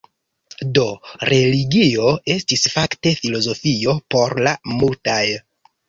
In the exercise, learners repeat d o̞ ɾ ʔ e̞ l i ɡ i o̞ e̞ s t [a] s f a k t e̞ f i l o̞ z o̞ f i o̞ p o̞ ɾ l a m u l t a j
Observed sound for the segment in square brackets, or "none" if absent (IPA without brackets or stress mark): i